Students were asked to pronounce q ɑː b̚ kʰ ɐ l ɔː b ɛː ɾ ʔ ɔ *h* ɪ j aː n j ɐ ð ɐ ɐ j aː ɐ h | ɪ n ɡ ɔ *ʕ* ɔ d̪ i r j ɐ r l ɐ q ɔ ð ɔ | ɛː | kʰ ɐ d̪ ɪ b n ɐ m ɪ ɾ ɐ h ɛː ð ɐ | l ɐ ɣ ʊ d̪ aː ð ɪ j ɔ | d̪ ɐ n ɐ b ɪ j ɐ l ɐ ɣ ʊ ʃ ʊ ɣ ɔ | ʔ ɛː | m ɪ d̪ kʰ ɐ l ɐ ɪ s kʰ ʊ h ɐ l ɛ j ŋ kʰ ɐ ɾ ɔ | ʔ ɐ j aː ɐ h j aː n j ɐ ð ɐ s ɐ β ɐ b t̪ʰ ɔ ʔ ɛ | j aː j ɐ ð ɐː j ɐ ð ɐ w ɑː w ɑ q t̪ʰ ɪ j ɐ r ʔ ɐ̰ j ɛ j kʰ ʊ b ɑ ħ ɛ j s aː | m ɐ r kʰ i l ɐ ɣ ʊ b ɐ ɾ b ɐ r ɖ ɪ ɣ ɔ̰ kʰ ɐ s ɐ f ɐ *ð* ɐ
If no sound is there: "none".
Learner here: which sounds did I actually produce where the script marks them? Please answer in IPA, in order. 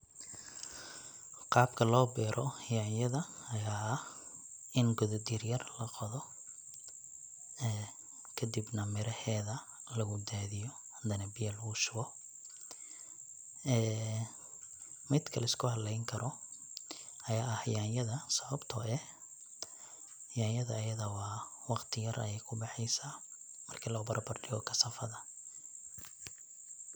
h, ð, ð

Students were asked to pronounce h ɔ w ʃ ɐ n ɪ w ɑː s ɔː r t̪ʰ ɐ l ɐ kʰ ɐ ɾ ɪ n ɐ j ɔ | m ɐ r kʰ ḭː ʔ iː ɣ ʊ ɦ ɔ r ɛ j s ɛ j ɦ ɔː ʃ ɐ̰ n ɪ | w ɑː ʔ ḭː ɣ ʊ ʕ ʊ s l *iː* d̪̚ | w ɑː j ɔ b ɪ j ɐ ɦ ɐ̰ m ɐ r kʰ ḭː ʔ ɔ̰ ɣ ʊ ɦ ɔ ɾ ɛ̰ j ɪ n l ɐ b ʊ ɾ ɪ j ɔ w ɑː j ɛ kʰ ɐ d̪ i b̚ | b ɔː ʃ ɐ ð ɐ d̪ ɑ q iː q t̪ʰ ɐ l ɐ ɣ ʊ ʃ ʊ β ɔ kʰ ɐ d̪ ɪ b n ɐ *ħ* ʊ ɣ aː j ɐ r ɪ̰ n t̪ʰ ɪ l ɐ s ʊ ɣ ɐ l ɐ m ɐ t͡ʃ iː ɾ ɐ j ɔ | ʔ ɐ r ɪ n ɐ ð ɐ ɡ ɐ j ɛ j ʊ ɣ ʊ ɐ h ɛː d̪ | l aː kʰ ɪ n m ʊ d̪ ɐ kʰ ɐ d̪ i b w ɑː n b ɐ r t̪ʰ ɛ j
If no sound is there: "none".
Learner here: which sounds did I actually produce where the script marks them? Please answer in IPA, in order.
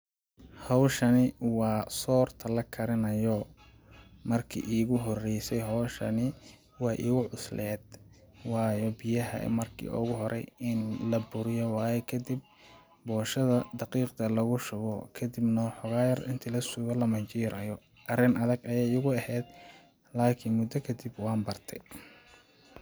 ɛː, ħ

